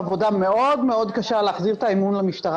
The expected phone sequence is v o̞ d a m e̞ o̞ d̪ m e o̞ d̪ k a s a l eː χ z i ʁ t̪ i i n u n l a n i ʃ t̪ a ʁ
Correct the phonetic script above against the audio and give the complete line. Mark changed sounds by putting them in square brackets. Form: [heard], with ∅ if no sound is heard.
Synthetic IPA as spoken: v o̞ d a m e̞ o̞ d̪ m e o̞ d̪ k a [ʃ] a l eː χ z i ʁ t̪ [a] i [m] u n l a [m] i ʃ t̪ a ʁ